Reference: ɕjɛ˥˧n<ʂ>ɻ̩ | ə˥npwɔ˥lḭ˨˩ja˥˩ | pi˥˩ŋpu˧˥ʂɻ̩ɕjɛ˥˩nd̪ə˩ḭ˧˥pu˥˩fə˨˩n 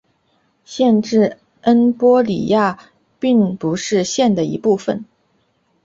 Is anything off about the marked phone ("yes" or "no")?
yes